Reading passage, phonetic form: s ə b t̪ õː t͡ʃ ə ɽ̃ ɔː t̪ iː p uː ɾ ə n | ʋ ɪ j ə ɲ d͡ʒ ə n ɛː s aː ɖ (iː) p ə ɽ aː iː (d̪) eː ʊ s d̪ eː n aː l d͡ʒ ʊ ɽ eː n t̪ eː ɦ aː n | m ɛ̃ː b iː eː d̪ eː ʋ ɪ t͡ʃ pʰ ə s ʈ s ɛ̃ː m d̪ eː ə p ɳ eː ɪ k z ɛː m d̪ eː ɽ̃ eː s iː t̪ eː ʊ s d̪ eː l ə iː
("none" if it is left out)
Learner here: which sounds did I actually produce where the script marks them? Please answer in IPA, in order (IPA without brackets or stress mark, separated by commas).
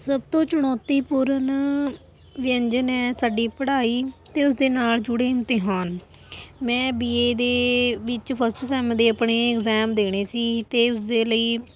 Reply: iː, t̪